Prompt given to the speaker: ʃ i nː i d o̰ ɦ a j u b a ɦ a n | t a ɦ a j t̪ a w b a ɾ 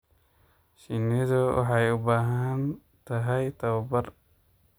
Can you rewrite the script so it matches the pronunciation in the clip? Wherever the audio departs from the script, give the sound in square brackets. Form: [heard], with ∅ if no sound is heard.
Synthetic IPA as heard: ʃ i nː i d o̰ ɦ a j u b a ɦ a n | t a ɦ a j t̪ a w b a ɾ

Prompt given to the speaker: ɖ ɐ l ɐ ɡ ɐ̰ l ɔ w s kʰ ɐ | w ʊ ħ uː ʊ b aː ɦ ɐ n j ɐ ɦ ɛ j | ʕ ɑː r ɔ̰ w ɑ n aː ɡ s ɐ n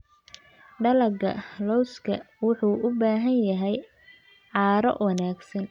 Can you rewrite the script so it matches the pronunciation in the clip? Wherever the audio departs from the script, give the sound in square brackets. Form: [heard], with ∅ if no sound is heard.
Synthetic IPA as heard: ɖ ɐ l ɐ ɡ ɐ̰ l ɔ w s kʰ ɐ | w ʊ ħ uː ʊ b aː ɦ ɐ n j ɐ ɦ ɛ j | ʕ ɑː [ɾ] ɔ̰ w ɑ n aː ɡ s ɐ n

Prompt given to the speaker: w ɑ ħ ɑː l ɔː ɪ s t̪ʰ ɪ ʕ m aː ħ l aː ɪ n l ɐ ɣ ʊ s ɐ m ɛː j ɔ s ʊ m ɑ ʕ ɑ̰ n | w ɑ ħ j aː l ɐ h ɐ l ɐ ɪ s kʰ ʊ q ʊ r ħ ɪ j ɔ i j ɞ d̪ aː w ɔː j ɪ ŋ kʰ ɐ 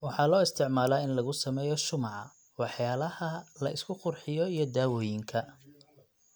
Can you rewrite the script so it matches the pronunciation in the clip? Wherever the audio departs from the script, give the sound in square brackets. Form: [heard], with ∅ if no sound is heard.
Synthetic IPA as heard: w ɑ ħ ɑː l ɔː ɪ s t̪ʰ ɪ ʕ m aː [∅] l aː ɪ n l ɐ ɣ ʊ s ɐ m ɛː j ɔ [ʃ] ʊ m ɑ ʕ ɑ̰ [∅] | w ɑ ħ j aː l ɐ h ɐ l ɐ ɪ s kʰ ʊ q ʊ r ħ ɪ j ɔ i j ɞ d̪ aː w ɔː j ɪ ŋ kʰ ɐ

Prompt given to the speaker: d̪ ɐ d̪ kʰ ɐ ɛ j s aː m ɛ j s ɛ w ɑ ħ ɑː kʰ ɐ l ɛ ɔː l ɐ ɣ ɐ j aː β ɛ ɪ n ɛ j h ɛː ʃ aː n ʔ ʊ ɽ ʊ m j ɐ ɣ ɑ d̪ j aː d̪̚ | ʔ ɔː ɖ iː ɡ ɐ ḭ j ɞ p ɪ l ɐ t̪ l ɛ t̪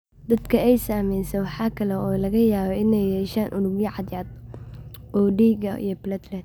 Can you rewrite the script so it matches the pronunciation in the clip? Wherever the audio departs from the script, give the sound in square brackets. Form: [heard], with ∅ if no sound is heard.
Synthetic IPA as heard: d̪ ɐ d̪ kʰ ɐ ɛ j s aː m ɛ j s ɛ w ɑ ħ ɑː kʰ ɐ l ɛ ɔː l ɐ ɣ ɐ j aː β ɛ ɪ n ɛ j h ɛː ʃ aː n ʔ ʊ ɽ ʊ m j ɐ [ʕ] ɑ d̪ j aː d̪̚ | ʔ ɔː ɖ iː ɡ ɐ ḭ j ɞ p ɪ l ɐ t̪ l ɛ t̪

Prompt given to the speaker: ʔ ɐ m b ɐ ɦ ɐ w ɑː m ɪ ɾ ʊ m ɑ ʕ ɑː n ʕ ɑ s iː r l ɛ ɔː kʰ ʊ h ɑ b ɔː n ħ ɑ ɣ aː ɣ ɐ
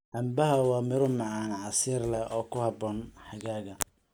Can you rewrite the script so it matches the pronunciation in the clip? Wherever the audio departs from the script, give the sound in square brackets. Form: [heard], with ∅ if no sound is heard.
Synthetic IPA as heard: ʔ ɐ m b ɐ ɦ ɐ w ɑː m ɪ ɾ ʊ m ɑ ʕ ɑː n ʕ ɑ s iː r l ɛ ɔː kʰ ʊ h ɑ b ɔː n ħ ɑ ɣ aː ɣ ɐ

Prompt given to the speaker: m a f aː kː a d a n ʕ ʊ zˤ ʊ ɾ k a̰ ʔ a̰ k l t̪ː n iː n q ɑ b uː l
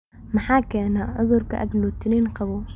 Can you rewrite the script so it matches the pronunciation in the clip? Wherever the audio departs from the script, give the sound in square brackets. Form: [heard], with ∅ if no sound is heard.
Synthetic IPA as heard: m a [ħ] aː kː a [n] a [∅] ʕ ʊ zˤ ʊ ɾ k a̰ ʔ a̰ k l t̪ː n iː n q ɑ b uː l

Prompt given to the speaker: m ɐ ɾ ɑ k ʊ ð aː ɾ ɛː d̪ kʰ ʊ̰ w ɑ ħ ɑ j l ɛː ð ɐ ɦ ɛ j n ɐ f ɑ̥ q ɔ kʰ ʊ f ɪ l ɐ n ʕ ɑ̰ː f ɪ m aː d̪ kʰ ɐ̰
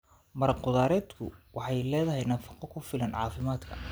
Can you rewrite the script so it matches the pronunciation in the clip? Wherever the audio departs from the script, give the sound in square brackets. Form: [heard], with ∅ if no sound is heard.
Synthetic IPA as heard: m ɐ ɾ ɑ [q] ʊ ð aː ɾ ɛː d̪ kʰ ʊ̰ w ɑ ħ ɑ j l ɛː ð ɐ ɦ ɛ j n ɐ f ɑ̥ q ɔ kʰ ʊ f ɪ l ɐ n ʕ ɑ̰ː f ɪ m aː d̪ kʰ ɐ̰

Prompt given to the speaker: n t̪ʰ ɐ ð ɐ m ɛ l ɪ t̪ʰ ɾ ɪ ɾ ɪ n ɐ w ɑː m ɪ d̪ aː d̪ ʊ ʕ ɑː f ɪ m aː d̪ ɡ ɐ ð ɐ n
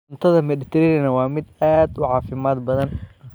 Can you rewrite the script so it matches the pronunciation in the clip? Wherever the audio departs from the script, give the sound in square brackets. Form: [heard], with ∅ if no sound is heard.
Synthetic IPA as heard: n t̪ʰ ɐ ð ɐ m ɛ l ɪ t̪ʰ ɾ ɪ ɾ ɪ n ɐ w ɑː m ɪ d̪ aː d̪ ʊ ʕ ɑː f ɪ m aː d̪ [b] ɐ ð ɐ n

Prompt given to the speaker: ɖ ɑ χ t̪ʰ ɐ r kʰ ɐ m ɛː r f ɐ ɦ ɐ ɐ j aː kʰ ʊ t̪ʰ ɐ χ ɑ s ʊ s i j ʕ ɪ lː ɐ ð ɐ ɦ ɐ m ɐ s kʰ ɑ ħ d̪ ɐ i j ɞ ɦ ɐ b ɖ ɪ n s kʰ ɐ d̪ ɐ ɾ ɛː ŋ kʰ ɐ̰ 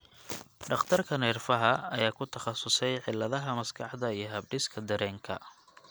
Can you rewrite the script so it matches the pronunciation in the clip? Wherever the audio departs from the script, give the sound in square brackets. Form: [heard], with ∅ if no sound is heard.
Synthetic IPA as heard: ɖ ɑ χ t̪ʰ ɐ r kʰ ɐ [n] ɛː r f ɐ ɦ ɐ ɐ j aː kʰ ʊ t̪ʰ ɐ χ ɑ s ʊ s [ɛ] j ʕ ɪ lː ɐ ð ɐ ɦ ɐ m ɐ s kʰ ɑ ħ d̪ ɐ i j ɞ ɦ ɐ b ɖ ɪ [∅] s kʰ ɐ d̪ ɐ ɾ ɛː ŋ kʰ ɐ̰

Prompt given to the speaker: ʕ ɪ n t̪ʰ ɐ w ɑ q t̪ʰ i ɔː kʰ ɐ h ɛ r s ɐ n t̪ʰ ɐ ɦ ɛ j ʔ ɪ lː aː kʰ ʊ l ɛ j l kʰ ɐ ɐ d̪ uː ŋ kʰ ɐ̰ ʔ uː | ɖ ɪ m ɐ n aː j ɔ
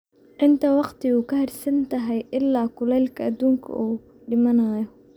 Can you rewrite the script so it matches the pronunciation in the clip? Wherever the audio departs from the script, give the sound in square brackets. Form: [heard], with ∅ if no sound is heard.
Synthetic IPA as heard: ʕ ɪ n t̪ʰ ɐ w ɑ q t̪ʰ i [uː] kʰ ɐ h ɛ r s ɐ n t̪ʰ ɐ ɦ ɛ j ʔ ɪ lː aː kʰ ʊ l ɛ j l kʰ ɐ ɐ d̪ uː ŋ kʰ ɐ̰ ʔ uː | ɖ ɪ m ɐ n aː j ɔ

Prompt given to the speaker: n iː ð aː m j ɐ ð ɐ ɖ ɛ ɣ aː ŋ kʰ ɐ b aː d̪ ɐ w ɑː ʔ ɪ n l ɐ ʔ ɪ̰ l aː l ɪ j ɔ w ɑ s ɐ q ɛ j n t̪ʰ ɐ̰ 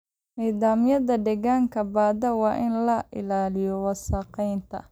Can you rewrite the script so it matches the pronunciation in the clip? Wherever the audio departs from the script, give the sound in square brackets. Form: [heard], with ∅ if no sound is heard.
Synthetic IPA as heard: n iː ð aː m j ɐ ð ɐ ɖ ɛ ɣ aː ŋ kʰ ɐ b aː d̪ ɐ w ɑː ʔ ɪ n l ɐ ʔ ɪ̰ l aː l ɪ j ɔ w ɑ s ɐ q ɛ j n t̪ʰ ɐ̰

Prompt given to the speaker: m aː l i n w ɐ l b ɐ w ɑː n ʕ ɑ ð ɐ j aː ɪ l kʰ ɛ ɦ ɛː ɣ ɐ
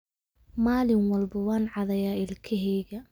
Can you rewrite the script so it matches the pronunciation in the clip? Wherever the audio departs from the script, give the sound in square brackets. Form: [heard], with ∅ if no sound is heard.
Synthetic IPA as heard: m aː l [ɪ] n w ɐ l b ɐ w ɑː n ʕ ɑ ð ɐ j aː ɪ l kʰ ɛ ɦ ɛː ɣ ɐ

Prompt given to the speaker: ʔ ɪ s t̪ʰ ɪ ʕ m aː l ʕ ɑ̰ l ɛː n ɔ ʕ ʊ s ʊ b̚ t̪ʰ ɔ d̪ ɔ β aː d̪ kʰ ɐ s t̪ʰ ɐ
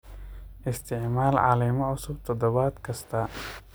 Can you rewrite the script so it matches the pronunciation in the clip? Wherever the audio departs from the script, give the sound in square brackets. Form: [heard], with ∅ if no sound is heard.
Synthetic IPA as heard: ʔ ɪ s t̪ʰ ɪ ʕ m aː l ʕ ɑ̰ l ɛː [m] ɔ ʕ ʊ s ʊ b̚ t̪ʰ ɔ d̪ ɔ β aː d̪ kʰ ɐ s t̪ʰ ɐ

